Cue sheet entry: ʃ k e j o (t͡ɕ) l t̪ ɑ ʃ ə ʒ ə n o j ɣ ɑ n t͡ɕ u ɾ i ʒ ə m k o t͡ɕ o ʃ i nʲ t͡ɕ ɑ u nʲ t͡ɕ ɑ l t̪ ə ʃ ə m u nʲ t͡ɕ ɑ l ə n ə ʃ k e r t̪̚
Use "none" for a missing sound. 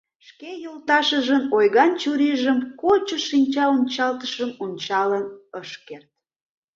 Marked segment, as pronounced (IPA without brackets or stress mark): none